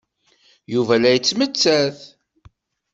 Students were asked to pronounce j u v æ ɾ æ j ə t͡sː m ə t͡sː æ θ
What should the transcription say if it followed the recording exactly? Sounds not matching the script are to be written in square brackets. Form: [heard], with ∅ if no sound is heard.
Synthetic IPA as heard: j u v æ [l] æ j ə t͡sː m ə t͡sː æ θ